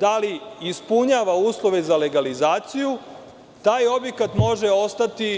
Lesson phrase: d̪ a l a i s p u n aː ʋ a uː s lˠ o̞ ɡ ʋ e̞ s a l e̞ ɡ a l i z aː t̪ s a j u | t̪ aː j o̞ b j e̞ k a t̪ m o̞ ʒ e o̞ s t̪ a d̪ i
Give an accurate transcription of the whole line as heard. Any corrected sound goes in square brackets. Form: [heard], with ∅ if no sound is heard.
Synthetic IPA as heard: d̪ a l [i] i s p u [ɲ] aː ʋ a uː s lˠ o̞ [∅] ʋ e̞ [z] a l e̞ ɡ a l i z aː t̪ s [i] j u | t̪ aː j o̞ b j e̞ k a t̪ m o̞ ʒ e o̞ s t̪ a [t̪] i